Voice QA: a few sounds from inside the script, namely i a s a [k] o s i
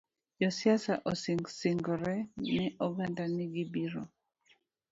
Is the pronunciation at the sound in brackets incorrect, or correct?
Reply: incorrect